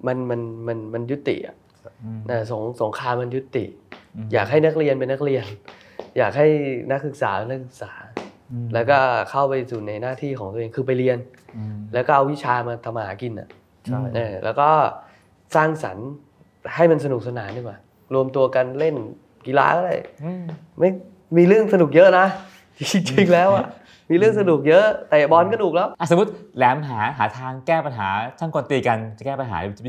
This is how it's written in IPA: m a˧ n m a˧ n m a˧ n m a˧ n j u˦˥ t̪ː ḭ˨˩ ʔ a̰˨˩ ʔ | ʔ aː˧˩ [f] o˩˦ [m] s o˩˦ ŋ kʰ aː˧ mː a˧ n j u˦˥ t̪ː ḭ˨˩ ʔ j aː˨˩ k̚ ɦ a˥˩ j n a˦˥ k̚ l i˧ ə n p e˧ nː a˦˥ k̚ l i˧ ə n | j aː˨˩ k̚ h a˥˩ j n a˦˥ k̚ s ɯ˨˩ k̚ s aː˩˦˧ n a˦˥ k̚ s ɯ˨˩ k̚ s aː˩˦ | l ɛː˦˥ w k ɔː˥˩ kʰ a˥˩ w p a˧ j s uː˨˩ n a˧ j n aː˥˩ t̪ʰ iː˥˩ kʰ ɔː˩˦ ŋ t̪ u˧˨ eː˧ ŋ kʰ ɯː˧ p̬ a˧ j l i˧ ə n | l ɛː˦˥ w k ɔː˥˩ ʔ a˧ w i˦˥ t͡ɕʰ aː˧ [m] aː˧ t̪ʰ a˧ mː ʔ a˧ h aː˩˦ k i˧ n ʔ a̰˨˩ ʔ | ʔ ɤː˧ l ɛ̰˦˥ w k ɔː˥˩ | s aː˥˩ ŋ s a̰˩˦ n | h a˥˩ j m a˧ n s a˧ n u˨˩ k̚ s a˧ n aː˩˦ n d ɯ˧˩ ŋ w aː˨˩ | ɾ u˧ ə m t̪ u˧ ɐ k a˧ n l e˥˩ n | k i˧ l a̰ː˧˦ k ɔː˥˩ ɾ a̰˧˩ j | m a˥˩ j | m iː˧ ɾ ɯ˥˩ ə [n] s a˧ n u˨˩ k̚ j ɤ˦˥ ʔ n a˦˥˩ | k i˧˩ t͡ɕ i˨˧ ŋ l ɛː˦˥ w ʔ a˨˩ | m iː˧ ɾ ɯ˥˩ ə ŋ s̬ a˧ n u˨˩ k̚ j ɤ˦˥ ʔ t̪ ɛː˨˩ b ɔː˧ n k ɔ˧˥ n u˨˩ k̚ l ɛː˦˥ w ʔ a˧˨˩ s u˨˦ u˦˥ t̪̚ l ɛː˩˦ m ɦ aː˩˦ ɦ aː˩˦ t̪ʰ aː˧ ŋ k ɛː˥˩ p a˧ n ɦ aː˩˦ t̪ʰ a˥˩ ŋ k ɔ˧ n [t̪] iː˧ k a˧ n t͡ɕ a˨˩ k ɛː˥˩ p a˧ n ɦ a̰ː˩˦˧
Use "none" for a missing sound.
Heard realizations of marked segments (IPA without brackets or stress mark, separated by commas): s, ŋ, m, ŋ, t̪